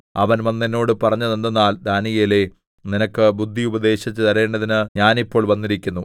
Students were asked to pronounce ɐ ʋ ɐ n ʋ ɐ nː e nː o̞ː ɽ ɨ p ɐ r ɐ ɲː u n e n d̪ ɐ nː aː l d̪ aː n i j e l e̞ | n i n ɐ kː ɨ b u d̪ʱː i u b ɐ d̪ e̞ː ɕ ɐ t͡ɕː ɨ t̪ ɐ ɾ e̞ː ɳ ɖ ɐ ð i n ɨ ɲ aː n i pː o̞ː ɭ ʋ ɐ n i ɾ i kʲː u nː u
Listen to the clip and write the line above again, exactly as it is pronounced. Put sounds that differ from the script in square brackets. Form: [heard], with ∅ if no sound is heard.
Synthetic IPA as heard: ɐ ʋ ɐ n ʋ ɐ nː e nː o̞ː ɽ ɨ p ɐ r ɐ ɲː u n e n d̪ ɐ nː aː l d̪ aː n i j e l e̞ | n i n ɐ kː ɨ b u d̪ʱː i u b ɐ d̪ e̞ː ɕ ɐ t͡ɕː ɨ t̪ ɐ ɾ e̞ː ɳ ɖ ɐ ð i n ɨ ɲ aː n i pː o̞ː ɭ ʋ ɐ [nː] i ɾ i kʲː u nː u